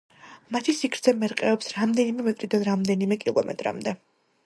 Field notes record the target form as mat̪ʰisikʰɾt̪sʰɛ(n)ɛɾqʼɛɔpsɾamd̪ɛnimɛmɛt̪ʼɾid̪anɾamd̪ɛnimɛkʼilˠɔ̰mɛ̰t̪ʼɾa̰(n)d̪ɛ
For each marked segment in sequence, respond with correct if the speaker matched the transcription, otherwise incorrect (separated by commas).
incorrect, incorrect